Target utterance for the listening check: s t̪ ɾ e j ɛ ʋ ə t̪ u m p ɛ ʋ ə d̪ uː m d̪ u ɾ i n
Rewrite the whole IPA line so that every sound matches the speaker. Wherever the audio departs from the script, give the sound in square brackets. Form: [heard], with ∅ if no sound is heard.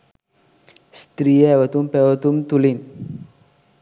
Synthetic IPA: s t̪ ɾ [i] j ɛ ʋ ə t̪ u m p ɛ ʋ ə [t̪] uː m [t̪] u [l] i n